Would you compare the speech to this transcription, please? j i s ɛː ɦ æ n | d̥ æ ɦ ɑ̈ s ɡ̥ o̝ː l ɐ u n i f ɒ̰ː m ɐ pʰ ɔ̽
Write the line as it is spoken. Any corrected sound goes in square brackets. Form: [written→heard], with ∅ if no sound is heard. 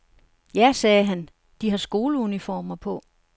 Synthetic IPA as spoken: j [i→æ] s ɛː ɦ æ n | d̥ [æ→i] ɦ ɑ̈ s ɡ̥ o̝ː l [ɐ→ə] u n i f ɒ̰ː m ɐ pʰ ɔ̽